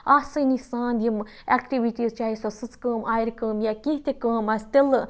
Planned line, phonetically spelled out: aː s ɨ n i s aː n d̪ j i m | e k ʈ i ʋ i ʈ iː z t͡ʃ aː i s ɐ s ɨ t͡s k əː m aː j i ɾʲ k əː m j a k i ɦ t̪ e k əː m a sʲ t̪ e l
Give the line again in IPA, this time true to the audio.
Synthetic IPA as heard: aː s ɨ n i s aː n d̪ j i m | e k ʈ i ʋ i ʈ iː z t͡ʃ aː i s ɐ s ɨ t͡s k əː m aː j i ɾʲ k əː m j a k i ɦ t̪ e k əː m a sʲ t̪ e l